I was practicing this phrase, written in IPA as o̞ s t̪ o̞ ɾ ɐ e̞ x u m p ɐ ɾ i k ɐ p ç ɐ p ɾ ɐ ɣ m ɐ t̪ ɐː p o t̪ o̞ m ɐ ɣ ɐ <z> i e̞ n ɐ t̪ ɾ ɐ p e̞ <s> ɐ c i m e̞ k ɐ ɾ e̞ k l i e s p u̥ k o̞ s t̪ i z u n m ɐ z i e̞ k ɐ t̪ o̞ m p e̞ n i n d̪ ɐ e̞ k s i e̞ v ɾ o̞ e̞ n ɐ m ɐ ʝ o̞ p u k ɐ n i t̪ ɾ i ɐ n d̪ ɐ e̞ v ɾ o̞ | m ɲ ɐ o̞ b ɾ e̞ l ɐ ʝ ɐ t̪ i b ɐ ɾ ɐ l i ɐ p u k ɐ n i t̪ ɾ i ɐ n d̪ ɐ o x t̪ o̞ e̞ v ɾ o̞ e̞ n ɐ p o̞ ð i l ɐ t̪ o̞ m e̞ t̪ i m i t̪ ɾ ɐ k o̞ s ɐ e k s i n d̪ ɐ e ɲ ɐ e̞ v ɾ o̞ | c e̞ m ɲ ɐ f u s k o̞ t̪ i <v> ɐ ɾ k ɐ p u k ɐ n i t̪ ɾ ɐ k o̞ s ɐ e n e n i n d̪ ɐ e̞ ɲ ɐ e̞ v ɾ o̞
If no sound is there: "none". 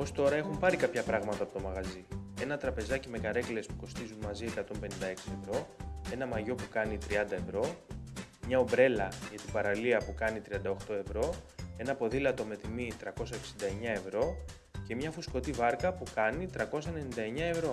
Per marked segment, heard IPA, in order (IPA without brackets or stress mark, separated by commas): z, z, v